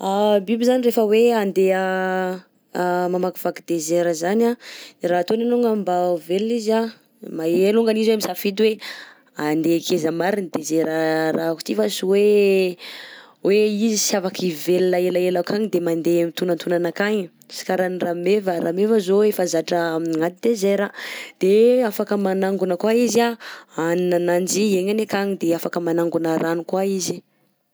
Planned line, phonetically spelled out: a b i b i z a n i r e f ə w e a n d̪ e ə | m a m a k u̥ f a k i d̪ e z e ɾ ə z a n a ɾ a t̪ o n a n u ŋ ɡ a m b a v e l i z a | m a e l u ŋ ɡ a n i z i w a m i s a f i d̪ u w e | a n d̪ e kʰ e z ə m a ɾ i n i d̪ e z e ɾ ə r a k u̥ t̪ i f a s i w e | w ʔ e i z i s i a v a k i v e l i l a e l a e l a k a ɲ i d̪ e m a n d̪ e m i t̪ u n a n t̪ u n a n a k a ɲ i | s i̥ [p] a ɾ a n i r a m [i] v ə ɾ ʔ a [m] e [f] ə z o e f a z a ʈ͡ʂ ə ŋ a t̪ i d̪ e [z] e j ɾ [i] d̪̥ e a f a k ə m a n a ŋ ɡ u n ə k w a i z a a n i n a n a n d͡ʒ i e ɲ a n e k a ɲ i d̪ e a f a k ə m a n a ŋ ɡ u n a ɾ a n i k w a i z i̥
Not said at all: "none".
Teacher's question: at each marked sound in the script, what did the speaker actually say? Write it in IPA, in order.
k, e, m, v, z, a

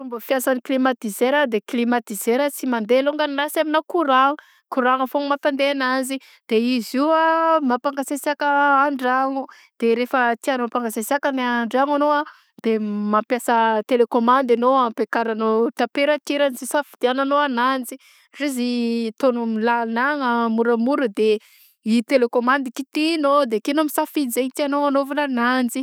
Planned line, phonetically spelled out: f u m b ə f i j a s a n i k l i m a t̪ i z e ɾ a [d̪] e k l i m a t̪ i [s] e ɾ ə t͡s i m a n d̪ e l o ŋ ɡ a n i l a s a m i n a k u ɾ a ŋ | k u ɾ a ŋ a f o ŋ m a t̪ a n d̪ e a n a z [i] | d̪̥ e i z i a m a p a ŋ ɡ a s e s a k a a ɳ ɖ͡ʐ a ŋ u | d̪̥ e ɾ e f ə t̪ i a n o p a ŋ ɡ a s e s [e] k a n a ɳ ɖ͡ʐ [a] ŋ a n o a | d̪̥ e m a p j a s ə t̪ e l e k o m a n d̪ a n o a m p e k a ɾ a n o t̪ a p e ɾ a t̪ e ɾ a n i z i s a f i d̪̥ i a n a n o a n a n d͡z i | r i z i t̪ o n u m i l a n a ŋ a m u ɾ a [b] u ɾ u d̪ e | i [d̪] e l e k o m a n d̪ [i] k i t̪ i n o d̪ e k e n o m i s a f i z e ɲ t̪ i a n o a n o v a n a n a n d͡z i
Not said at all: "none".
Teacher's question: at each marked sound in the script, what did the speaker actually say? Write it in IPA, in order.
d̪, z, i, a, a, m, t̪, i

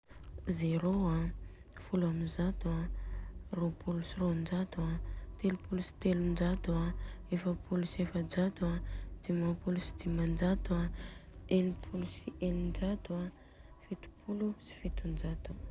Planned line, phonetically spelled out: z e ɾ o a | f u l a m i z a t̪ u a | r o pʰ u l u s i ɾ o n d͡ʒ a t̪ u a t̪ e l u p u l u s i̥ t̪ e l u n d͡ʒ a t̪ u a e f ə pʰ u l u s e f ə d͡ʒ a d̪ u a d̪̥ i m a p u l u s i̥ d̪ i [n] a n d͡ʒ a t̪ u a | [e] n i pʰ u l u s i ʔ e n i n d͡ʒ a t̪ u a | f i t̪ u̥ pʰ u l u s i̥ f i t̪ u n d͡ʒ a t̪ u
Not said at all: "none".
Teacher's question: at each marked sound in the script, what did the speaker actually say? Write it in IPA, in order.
m, e

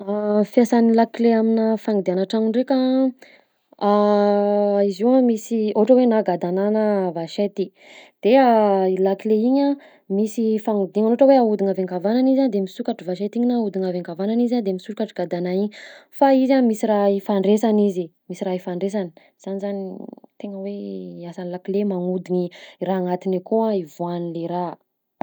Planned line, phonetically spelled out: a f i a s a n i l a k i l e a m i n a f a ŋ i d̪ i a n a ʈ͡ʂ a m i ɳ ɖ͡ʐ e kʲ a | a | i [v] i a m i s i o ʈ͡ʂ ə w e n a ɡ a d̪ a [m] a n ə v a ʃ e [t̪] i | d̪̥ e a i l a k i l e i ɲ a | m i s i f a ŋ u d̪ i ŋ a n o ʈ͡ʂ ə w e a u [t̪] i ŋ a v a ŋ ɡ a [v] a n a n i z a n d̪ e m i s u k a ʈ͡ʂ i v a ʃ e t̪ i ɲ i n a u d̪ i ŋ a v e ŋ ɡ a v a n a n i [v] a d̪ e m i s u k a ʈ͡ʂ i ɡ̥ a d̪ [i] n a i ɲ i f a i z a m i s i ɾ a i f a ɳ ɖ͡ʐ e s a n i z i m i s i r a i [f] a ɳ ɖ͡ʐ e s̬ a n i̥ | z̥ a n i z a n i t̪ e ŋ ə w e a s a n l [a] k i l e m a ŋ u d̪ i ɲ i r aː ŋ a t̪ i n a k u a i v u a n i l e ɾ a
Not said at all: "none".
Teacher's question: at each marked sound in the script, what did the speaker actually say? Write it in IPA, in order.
z, n, t̪, d̪, v, z, a, f, a

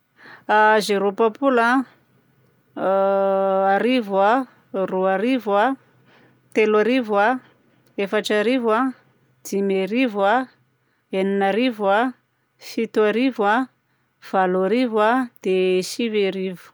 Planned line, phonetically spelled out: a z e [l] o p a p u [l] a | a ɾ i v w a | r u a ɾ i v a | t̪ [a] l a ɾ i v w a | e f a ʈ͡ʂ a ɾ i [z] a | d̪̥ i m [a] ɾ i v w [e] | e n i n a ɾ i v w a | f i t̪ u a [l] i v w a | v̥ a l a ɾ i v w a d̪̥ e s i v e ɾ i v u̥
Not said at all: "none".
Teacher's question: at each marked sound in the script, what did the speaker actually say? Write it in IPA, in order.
ɾ, l, e, v, e, a, ɾ

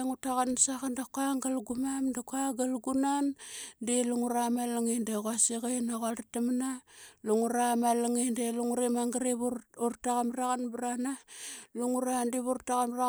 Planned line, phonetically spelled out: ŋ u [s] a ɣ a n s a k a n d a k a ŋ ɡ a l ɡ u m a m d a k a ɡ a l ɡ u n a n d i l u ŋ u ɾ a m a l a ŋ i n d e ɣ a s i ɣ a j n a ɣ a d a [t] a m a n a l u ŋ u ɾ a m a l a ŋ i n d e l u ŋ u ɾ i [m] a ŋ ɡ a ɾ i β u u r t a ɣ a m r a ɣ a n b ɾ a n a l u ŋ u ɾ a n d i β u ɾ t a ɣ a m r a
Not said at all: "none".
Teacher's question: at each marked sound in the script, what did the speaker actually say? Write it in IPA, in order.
t, t, m

